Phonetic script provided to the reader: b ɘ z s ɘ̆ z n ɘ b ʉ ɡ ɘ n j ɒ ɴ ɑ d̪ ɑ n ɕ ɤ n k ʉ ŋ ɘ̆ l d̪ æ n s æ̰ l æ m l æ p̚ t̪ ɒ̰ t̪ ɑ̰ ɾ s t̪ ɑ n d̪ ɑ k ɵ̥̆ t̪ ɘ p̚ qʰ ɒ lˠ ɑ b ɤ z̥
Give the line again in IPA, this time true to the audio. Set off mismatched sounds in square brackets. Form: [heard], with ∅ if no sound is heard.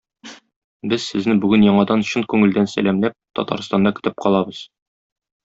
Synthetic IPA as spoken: b ɘ z s ɘ̆ z n ɘ b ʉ ɡ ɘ n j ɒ ɴ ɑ d̪ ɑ n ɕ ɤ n k ʉ ŋ ɘ̆ l d̪ æ n s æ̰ l æ m l æ p̚ t̪ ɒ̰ t̪ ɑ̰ ɾ s t̪ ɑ n d̪ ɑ k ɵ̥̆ t̪ ɘ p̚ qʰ ɒ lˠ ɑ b ɤ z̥